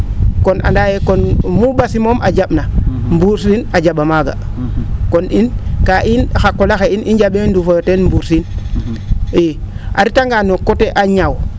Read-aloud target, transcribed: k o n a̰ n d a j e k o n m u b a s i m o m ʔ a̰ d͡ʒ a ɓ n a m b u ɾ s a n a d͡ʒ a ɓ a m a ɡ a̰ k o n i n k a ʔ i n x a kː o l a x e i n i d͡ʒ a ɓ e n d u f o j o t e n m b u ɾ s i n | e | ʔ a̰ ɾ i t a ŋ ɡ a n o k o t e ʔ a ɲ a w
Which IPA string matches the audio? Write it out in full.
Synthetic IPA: k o n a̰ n d a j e k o n m u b a s i m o m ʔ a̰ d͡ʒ a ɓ n a m b u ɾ s i n a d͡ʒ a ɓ a m a ɡ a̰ k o n i n k a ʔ i n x a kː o l a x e i n i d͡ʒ a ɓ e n d u f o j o t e n m b u ɾ s i n | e | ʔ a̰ ɾ i t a ŋ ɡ a n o k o t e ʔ a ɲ a w